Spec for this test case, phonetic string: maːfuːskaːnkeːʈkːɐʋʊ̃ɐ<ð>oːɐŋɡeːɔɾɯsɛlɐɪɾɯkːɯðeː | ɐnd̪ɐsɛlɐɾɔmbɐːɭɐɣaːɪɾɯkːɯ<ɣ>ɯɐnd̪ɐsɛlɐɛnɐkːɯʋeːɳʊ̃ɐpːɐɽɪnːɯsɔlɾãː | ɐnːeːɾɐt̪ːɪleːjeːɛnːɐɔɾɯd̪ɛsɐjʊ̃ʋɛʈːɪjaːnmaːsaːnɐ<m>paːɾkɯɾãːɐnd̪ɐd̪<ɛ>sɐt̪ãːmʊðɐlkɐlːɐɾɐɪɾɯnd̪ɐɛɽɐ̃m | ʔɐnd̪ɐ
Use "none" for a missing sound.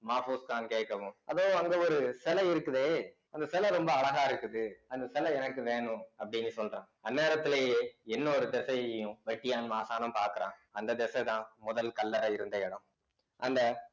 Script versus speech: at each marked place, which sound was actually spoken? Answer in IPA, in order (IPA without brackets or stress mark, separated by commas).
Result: ð, ð, m, ɛ